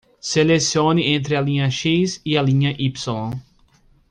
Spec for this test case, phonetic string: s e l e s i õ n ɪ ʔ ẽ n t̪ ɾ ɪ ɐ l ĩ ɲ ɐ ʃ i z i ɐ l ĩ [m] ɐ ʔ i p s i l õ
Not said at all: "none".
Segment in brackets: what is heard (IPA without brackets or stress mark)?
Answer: ɲ